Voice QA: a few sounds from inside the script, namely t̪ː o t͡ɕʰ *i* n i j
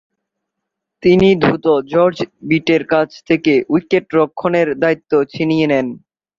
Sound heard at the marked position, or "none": i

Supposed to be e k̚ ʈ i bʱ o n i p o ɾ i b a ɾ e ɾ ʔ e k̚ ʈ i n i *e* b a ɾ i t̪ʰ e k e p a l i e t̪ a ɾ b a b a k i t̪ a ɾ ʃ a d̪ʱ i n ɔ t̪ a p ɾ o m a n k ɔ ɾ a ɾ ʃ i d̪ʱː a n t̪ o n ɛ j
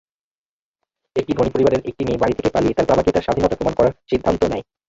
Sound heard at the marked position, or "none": e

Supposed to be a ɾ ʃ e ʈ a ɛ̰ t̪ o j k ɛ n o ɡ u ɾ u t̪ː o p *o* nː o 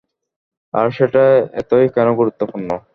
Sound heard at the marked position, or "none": u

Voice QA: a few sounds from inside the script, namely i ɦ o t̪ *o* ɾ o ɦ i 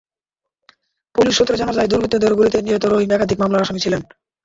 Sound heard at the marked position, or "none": o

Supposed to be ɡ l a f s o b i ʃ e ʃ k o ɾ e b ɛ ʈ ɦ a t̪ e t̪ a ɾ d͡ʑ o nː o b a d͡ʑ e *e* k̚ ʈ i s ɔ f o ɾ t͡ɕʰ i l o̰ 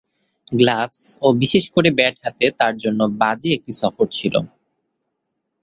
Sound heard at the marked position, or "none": e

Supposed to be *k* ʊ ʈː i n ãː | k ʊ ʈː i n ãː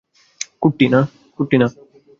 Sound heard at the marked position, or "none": k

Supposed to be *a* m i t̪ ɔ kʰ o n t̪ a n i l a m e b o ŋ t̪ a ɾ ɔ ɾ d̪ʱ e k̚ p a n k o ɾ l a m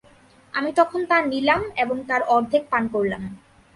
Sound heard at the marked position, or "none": a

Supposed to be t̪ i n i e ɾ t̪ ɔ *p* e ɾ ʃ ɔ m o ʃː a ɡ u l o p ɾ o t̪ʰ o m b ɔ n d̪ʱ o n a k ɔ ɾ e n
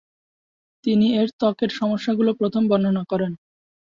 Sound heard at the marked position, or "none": k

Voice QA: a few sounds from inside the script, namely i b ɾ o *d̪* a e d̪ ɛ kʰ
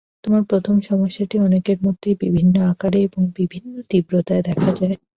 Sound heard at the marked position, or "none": t̪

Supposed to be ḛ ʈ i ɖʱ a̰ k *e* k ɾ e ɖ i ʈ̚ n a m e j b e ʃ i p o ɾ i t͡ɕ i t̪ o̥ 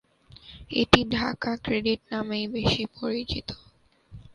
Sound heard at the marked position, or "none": a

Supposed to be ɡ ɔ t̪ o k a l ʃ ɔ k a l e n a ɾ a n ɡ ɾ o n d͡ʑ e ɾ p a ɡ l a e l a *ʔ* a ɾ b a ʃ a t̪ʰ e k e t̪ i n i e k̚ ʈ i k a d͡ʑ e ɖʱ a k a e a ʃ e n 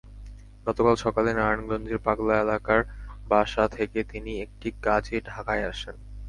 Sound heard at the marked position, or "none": k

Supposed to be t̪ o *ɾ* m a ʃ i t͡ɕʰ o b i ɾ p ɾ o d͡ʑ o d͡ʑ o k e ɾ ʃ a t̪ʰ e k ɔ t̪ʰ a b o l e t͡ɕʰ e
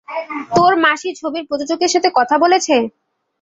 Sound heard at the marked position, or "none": ɾ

